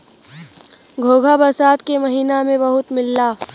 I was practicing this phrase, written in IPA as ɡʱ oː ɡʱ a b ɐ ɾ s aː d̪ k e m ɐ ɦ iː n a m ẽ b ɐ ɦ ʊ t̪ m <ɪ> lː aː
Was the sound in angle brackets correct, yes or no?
yes